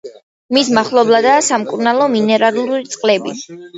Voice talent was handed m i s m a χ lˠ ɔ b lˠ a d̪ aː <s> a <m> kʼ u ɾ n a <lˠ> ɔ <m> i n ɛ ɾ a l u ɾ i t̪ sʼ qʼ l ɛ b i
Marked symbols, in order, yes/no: yes, yes, yes, yes

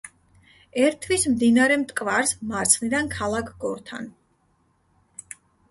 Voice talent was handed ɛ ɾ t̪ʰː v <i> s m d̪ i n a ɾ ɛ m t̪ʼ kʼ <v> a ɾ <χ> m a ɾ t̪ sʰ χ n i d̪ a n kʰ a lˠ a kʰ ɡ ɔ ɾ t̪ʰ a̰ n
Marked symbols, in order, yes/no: yes, yes, no

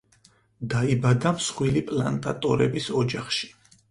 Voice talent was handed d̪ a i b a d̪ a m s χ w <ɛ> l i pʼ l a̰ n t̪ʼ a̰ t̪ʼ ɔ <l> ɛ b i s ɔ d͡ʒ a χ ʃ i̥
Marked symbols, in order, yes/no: no, no

